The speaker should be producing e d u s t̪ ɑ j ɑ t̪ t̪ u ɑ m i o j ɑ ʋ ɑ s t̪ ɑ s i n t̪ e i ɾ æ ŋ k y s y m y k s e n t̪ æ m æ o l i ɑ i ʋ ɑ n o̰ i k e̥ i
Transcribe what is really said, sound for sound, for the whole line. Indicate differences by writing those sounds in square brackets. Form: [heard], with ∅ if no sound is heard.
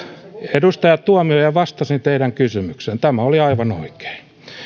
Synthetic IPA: e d u s t̪ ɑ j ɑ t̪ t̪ u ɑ m i o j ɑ ʋ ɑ s t̪ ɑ s i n t̪ e i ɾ æ ŋ k y s y m y k s e n t̪ æ m æ o l i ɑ i ʋ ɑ n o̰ i k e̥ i